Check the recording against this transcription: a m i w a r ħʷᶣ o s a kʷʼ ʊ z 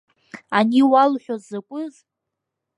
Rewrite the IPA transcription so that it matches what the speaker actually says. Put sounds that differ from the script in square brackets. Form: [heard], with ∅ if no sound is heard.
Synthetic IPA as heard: a [n] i w a [l] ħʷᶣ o [z] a kʷʼ ʊ z